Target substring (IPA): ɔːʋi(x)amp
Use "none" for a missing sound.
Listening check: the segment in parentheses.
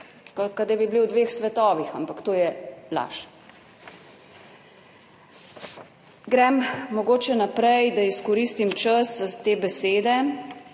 x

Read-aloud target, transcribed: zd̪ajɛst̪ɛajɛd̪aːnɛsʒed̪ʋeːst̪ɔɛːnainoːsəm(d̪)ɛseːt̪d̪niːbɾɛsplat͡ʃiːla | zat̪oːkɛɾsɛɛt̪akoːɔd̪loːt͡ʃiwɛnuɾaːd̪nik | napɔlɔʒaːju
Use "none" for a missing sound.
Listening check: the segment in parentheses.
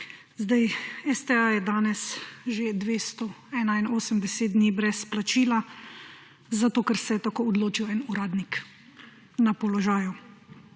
d̪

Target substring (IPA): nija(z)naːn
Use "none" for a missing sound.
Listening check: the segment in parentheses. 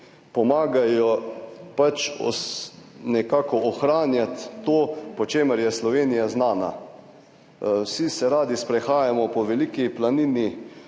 z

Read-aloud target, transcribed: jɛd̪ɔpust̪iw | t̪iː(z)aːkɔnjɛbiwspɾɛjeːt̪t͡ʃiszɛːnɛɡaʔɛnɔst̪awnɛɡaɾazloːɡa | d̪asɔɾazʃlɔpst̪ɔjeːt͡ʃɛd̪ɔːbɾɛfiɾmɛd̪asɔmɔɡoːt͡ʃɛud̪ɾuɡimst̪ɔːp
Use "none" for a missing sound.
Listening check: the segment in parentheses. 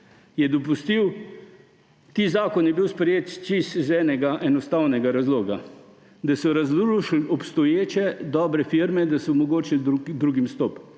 z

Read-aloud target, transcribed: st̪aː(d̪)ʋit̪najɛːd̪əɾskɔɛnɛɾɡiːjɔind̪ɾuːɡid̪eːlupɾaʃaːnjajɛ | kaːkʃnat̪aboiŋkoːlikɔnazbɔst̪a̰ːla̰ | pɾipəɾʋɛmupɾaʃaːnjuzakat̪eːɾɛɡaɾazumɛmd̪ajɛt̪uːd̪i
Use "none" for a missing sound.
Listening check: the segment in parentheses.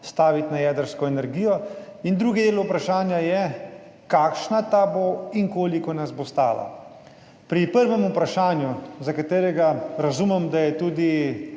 none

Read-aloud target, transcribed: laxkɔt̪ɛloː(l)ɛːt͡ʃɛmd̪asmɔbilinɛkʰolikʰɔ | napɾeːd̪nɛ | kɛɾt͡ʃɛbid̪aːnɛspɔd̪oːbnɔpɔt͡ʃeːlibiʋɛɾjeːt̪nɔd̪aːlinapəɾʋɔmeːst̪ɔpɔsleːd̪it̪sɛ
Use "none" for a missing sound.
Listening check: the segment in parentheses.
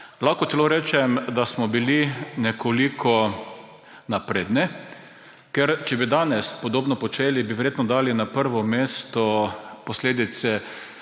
ɾ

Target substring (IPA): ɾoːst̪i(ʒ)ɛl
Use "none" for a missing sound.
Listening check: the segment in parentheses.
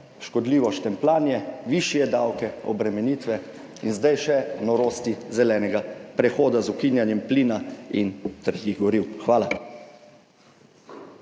z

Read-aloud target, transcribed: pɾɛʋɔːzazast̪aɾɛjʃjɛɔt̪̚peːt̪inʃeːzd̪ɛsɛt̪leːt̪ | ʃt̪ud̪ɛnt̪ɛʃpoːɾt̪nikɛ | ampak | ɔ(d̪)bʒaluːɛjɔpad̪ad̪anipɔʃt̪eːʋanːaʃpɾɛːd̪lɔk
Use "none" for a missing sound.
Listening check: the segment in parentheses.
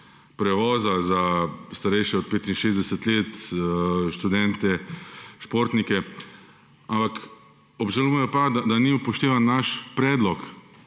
none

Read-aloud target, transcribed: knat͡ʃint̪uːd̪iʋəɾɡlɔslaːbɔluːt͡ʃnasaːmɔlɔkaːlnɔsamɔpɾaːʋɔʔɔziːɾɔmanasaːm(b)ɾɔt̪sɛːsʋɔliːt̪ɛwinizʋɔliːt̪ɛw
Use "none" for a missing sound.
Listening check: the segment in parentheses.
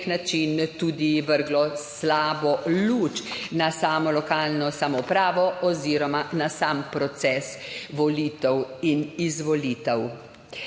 p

